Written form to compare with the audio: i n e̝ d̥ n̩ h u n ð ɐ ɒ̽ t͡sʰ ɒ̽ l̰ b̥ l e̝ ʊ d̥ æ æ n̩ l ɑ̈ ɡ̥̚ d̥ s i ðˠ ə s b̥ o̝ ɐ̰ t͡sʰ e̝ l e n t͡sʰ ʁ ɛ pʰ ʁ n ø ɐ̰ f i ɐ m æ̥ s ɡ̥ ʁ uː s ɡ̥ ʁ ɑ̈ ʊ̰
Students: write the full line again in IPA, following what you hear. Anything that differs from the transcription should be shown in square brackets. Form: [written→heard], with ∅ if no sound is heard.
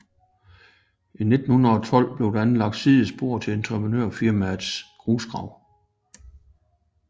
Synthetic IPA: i n e̝ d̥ n̩ h u n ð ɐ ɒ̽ t͡sʰ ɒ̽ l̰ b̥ l e̝ ʊ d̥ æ æ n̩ l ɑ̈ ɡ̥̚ d̥ s i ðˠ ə s b̥ o̝ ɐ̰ t͡sʰ e̝ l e n t͡sʰ ʁ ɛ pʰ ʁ n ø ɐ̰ f i ɐ m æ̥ s ɡ̥ ʁ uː s ɡ̥ ʁ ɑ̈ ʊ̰

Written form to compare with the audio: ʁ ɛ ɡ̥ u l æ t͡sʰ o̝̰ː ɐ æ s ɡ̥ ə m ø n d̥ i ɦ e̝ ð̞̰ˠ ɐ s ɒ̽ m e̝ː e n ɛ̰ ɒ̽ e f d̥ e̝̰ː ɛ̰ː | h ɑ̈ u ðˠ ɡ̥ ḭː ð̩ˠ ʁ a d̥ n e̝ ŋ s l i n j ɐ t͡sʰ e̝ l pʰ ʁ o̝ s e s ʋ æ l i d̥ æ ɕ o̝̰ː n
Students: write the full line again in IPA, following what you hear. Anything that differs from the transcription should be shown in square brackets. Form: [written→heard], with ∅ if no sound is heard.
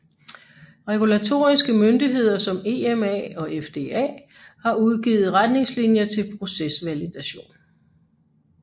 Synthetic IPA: ʁ ɛ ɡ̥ u l æ t͡sʰ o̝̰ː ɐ [æ→i] s ɡ̥ ə m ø n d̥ i ɦ e̝ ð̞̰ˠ ɐ s ɒ̽ m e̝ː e [n→m] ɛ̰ ɒ̽ e f d̥ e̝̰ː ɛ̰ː | h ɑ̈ u ðˠ ɡ̥ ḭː ð̩ˠ ʁ a d̥ n e̝ ŋ s l i n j ɐ t͡sʰ e̝ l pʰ ʁ o̝ s e s ʋ æ l i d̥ æ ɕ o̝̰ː n

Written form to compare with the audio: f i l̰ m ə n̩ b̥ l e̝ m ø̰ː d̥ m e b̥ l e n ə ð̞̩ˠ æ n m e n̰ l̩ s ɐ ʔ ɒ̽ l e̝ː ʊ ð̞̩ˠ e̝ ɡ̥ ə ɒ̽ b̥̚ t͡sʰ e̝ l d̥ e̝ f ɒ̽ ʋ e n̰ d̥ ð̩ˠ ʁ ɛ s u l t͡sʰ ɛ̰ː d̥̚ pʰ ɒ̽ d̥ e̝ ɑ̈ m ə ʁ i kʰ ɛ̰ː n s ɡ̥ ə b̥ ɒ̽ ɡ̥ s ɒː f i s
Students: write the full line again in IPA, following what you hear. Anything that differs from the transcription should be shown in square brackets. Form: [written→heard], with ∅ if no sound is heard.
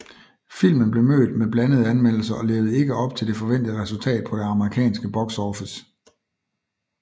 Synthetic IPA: f i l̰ m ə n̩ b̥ l e̝ m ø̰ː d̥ m e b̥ l [e→æ] n ə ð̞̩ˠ æ n m e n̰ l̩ s ɐ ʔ ɒ̽ l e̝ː ʊ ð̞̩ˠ e̝ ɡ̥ ə ɒ̽ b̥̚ t͡sʰ e̝ l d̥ e̝ f ɒ̽ ʋ e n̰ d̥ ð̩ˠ ʁ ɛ s u l t͡sʰ ɛ̰ː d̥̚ pʰ ɒ̽ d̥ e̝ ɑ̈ m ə ʁ i kʰ ɛ̰ː n s ɡ̥ ə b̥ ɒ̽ ɡ̥ s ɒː f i s

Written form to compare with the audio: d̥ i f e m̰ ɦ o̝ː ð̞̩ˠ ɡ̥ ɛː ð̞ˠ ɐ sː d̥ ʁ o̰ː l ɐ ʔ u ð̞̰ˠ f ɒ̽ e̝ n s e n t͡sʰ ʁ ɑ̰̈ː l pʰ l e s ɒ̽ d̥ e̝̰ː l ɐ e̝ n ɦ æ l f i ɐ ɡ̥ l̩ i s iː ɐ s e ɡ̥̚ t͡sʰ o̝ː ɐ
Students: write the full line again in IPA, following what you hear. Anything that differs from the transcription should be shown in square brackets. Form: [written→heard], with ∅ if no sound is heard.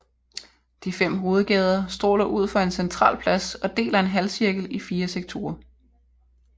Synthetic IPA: d̥ i f e m̰ ɦ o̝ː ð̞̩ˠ ɡ̥ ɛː ð̞ˠ ɐ [sː→s] d̥ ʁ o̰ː l ɐ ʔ u ð̞̰ˠ f ɒ̽ e̝ n s e n t͡sʰ ʁ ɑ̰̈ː l pʰ l [e→æ] s ɒ̽ d̥ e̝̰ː l ɐ e̝ n ɦ æ l [f→s] i ɐ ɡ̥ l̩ i [s→f] iː ɐ s e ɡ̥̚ t͡sʰ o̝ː ɐ

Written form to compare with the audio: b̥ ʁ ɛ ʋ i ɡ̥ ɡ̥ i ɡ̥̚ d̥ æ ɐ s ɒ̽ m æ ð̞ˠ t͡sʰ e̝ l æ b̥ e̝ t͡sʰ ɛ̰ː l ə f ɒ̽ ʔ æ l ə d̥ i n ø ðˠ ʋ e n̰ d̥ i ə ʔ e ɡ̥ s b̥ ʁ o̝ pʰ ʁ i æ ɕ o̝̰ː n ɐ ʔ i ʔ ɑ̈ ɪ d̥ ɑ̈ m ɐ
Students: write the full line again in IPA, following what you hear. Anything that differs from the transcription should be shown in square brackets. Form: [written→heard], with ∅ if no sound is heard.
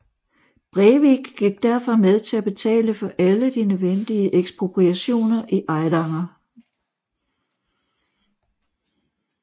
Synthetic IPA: b̥ ʁ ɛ ʋ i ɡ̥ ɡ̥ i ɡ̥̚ d̥ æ ɐ [s→f] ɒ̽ m [æ→e] ð̞ˠ t͡sʰ e̝ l æ b̥ e̝ t͡sʰ ɛ̰ː l ə f ɒ̽ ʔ æ l ə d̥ i n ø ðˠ ʋ e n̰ d̥ i ə ʔ e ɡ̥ s b̥ ʁ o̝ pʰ ʁ i æ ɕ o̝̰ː n ɐ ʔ i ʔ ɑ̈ ɪ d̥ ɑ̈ [m→ŋ] ɐ

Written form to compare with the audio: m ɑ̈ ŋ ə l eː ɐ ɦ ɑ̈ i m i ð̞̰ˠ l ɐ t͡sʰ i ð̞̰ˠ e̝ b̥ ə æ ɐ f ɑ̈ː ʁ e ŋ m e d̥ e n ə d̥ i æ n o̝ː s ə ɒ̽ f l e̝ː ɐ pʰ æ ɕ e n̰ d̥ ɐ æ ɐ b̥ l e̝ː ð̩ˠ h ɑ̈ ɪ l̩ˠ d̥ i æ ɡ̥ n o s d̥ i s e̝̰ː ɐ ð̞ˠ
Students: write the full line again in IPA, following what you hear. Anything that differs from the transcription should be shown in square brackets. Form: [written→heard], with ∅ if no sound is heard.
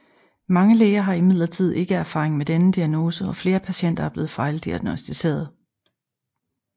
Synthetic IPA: m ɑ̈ ŋ ə l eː ɐ ɦ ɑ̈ i m i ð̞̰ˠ l ɐ t͡sʰ i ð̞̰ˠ e̝ [b̥→ɡ̥] ə æ ɐ f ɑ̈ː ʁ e ŋ m e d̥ e n ə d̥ i æ n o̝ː s ə ɒ̽ f l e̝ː ɐ pʰ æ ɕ e n̰ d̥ ɐ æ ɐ b̥ l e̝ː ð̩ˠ [h→f] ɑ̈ ɪ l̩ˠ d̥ i æ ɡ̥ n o s d̥ i s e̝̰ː ɐ ð̞ˠ

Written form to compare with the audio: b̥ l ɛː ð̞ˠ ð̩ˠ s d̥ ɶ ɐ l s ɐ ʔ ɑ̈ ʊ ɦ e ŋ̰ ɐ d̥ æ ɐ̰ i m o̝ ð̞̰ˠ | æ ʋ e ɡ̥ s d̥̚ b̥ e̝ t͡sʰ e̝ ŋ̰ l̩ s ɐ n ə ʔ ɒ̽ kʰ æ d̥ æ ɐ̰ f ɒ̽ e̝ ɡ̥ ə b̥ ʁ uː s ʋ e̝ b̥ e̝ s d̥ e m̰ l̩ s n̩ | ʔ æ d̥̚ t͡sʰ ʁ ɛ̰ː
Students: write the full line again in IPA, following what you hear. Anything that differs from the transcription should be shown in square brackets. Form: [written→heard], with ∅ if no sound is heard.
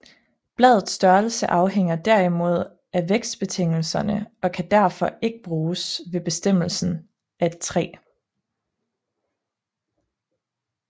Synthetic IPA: b̥ l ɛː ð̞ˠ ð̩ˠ s d̥ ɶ ɐ l s [ɐ→ə] ʔ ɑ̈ ʊ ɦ e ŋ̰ ɐ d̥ æ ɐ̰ i m o̝ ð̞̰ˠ | æ ʋ e ɡ̥ s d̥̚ b̥ e̝ t͡sʰ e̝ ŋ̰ l̩ s ɐ n ə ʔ ɒ̽ kʰ æ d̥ æ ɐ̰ f ɒ̽ e̝ ɡ̥ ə b̥ ʁ uː s ʋ e̝ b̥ e̝ s d̥ e m̰ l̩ s n̩ | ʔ æ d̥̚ t͡sʰ ʁ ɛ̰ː

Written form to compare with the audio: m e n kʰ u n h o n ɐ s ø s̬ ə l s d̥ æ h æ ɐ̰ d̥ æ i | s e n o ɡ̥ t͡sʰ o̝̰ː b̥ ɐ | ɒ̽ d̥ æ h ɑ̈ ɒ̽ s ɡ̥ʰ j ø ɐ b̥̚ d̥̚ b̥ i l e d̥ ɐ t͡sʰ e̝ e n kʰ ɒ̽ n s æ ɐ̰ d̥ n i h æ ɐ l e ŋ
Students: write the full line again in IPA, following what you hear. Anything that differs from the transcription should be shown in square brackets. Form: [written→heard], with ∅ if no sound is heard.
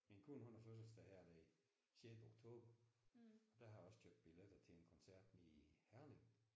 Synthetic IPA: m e n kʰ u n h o n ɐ [s→f] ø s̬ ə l s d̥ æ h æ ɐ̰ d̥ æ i | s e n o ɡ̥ t͡sʰ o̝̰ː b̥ ɐ | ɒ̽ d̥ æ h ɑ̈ ɒ̽ s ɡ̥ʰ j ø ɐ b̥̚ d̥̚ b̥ i l e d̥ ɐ t͡sʰ e̝ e n kʰ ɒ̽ n s æ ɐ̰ d̥ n i h æ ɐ l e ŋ

